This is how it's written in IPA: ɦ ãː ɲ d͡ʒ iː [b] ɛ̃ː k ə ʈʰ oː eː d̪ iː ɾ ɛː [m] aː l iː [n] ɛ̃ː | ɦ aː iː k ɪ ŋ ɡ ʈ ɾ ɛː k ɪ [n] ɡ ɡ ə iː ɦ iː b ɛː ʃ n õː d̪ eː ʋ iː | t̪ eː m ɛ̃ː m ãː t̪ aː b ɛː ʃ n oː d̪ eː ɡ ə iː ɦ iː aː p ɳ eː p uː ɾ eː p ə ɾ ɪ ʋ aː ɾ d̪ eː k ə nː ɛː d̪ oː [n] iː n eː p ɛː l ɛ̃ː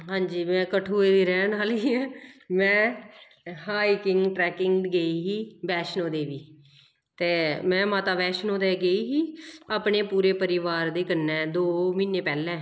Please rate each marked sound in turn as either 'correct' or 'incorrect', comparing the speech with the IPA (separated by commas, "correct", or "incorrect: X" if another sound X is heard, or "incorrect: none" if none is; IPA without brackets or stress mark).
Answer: incorrect: m, incorrect: n, incorrect: m, incorrect: ŋ, incorrect: m